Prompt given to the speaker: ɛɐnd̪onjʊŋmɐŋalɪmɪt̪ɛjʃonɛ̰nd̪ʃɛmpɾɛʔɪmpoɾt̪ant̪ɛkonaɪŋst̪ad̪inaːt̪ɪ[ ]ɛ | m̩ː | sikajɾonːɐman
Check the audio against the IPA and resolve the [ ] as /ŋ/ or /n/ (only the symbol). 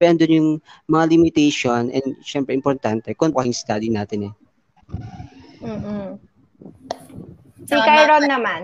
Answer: n